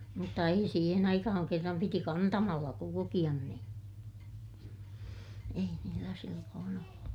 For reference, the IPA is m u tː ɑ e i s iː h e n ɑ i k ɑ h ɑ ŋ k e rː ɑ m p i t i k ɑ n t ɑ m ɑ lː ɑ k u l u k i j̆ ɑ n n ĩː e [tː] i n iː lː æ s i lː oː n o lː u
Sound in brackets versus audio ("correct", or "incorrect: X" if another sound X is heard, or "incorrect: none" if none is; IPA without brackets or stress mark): incorrect: none